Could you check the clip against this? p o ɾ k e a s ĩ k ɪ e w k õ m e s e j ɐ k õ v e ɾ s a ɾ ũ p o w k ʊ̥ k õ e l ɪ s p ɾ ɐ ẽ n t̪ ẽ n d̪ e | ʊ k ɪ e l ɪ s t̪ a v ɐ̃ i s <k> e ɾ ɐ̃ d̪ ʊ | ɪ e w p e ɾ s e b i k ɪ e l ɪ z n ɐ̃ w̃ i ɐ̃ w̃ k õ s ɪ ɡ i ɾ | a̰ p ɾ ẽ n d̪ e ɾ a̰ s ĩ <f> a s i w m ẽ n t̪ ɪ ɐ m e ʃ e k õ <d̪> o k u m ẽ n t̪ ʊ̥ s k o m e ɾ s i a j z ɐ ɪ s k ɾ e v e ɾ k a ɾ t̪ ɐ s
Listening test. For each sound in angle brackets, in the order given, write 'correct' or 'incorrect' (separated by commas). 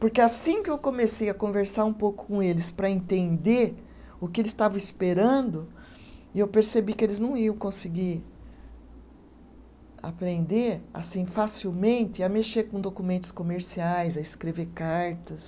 incorrect, correct, correct